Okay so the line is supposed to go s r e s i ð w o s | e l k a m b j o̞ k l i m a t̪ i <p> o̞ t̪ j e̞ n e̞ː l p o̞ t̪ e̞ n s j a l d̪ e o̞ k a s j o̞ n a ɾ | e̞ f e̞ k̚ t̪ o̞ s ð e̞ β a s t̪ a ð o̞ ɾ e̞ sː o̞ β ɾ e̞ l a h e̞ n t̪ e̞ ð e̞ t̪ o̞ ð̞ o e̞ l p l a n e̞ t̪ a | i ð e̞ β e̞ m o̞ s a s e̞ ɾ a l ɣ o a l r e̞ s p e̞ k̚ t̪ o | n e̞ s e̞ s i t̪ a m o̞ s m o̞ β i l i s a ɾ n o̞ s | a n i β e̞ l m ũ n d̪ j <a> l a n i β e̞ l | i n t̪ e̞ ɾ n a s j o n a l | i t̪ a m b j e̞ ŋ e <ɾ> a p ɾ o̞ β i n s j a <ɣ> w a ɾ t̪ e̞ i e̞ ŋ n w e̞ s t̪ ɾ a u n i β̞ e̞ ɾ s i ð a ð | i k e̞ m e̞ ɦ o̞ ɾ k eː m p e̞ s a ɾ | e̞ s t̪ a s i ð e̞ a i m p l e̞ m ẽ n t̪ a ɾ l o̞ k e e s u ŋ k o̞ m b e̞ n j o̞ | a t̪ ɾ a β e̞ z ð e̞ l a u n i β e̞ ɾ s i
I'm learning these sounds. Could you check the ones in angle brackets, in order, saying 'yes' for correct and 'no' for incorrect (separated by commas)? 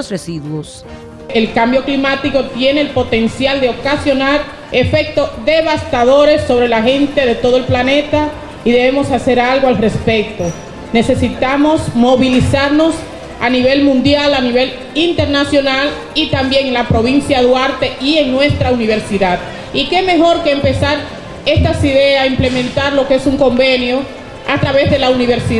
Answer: no, yes, no, no